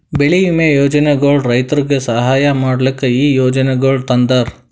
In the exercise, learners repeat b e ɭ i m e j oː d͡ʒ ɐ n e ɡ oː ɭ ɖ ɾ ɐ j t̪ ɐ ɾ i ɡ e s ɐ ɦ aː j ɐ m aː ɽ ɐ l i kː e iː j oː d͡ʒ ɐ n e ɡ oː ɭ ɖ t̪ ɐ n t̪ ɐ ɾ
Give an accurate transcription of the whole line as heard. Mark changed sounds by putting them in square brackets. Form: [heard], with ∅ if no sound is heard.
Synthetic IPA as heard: b e ɭ i m e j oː d͡ʒ ɐ n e ɡ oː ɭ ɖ ɾ ɐ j t̪ ɐ ɾ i ɡ e s ɐ ɦ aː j ɐ m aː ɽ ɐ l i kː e iː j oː d͡ʒ ɐ n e ɡ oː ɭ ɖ t̪ ɐ n [d̪] ɐ ɾ

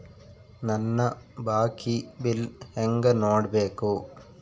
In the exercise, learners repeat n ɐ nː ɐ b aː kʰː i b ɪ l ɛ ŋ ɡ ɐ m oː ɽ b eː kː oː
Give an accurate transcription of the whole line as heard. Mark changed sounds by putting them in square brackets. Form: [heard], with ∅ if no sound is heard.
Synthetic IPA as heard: n ɐ nː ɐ b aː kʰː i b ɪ l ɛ ŋ ɡ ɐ [n] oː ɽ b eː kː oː

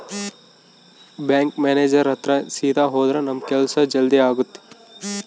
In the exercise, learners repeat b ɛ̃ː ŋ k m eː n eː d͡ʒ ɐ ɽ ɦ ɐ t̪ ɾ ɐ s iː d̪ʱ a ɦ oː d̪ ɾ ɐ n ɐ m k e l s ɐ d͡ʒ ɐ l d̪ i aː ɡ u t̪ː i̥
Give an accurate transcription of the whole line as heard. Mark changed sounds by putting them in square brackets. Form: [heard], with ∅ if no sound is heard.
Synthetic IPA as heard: b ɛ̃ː ŋ k m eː n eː d͡ʒ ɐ [ɾ] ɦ ɐ t̪ ɾ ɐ s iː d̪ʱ a ɦ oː d̪ ɾ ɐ n ɐ m k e l s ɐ d͡ʒ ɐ l d̪ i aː ɡ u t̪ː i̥

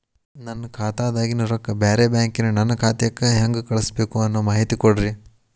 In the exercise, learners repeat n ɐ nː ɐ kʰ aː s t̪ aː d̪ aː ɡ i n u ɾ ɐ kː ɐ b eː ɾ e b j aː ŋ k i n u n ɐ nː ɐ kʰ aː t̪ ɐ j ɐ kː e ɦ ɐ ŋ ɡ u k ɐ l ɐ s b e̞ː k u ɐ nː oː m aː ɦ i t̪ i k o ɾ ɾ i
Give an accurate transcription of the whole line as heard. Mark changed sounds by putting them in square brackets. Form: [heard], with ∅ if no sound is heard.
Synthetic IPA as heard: n ɐ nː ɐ kʰ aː [∅] t̪ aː d̪ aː ɡ i n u ɾ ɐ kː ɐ b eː ɾ e b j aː ŋ k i n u n ɐ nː ɐ kʰ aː t̪ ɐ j ɐ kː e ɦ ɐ ŋ ɡ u k ɐ [ɭ] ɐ s b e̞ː k u ɐ nː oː m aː ɦ i t̪ i k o [ɽ] ɾ i

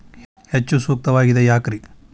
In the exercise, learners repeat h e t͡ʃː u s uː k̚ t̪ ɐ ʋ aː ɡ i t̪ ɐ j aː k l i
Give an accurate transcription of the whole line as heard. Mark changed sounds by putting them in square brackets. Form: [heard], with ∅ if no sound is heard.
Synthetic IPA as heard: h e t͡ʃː u s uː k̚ t̪ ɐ ʋ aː ɡ i [d̪] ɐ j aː k [ɾ] i

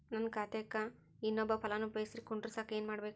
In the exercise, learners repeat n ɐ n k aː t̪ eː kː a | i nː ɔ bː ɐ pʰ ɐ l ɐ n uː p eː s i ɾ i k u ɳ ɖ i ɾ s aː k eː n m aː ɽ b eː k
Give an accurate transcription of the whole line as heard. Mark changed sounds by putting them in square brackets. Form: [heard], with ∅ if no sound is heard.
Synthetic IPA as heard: n ɐ n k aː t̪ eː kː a | i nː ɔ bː ɐ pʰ ɐ l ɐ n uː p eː s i ɾ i k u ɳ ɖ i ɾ s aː k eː n m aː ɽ b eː k

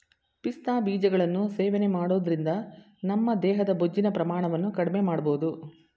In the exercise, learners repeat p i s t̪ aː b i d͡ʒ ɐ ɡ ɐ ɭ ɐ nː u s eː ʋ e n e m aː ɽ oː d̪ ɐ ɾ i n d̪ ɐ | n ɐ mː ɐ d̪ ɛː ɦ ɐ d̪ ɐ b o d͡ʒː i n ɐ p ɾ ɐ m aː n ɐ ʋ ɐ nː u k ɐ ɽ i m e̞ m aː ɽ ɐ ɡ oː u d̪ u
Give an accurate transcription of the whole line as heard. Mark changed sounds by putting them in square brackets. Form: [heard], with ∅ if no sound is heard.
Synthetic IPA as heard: p i s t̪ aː b [iː] d͡ʒ ɐ ɡ ɐ ɭ ɐ nː u s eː ʋ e n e m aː ɽ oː d̪ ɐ ɾ i n d̪ ɐ | n ɐ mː ɐ d̪ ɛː ɦ ɐ d̪ ɐ b o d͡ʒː i n ɐ p ɾ ɐ m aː [ɳ] ɐ ʋ ɐ nː u k ɐ ɽ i m e̞ m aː ɽ ɐ [b] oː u d̪ u

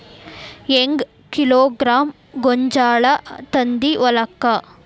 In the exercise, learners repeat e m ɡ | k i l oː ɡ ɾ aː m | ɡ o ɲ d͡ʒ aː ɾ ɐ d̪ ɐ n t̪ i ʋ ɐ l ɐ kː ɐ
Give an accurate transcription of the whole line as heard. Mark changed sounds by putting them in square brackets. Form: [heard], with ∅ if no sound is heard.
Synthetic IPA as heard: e [ŋ] ɡ | k i l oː ɡ ɾ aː m | ɡ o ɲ d͡ʒ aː [ɭ] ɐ [t̪] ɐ n [d̪] i ʋ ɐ l ɐ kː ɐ

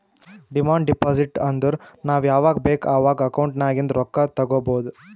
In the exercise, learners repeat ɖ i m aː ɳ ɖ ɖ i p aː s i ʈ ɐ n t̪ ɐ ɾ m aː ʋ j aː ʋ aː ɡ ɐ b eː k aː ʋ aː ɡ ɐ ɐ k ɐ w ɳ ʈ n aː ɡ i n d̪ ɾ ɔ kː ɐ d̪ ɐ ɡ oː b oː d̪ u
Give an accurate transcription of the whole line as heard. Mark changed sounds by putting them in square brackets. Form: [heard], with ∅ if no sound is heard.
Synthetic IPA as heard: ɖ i m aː ɳ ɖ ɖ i p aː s i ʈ ɐ n [d̪] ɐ ɾ [n] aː ʋ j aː ʋ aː ɡ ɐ b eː k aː ʋ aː ɡ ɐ ɐ k ɐ w ɳ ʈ n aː ɡ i n d̪ ɾ ɔ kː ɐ [t̪] ɐ ɡ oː b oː d̪ u

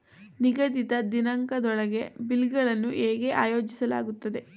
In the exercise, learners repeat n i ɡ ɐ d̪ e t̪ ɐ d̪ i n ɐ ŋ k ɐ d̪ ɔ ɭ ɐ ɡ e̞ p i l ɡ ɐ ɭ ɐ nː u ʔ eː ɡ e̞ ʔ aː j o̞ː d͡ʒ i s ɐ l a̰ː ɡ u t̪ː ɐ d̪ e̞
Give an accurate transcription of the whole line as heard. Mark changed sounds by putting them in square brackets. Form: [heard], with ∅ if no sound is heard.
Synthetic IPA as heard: n i ɡ ɐ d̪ [i] t̪ ɐ d̪ i n ɐ ŋ k ɐ d̪ ɔ ɭ ɐ ɡ e̞ [b] i l ɡ ɐ ɭ ɐ nː u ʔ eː ɡ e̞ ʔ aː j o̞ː d͡ʒ i s ɐ l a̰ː ɡ u t̪ː ɐ d̪ e̞

